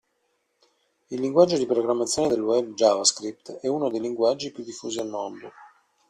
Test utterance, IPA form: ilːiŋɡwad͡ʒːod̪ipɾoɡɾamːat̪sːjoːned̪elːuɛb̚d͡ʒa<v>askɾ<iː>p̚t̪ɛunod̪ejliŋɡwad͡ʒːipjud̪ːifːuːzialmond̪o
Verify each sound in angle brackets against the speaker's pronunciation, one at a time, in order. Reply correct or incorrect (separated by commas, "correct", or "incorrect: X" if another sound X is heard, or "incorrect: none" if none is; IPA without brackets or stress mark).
correct, incorrect: i